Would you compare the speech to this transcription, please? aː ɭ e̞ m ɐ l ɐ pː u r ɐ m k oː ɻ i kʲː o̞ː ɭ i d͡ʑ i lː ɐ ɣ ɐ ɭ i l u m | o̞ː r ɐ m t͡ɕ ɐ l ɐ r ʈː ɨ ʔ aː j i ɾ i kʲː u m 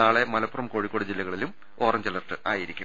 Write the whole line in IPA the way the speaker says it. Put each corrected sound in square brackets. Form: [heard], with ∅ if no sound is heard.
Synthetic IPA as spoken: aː ɭ e̞ m ɐ l ɐ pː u r ɐ m k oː ɻ i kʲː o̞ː [ɽ] i d͡ʑ i lː ɐ ɣ ɐ ɭ i l u m | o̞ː r ɐ m t͡ɕ ɐ l ɐ r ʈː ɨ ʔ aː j i ɾ i kʲː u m